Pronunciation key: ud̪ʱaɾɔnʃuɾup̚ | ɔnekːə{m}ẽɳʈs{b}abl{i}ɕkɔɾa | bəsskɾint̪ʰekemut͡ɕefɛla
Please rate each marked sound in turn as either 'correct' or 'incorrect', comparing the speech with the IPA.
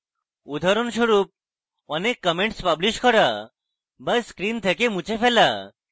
correct, incorrect: p, correct

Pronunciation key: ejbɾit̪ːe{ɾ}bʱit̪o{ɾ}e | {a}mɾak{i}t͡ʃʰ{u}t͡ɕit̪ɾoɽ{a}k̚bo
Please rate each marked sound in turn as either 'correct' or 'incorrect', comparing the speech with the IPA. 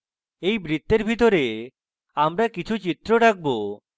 correct, correct, correct, correct, correct, correct

